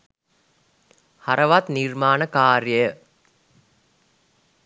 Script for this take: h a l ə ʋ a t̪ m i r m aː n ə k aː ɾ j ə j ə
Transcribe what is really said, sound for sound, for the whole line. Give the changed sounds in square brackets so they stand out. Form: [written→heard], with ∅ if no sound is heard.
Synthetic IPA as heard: h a [l→ɾ] ə ʋ a t̪ [m→n] i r m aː n ə k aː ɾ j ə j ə